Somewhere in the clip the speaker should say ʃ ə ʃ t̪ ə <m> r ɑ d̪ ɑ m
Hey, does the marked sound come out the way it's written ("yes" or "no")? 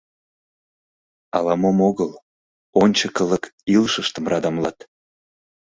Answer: yes